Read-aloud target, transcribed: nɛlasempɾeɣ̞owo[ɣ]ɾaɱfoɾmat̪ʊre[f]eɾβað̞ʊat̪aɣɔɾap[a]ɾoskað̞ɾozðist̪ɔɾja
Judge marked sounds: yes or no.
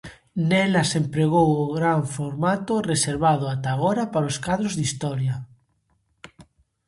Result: yes, no, yes

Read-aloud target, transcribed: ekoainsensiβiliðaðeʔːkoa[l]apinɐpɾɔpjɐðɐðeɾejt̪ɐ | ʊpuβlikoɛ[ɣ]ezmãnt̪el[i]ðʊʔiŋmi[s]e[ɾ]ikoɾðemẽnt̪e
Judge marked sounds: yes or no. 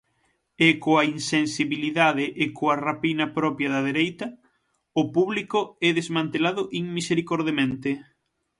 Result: no, no, no, yes, yes

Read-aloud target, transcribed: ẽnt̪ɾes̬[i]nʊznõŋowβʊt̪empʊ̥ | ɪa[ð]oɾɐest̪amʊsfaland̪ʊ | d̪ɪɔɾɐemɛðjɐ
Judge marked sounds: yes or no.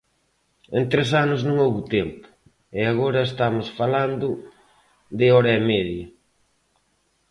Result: no, no

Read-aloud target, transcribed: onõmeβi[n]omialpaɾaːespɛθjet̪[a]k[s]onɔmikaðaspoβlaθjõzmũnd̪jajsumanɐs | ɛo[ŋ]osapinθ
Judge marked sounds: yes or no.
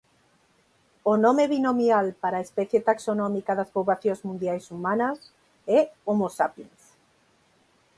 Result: yes, yes, yes, no

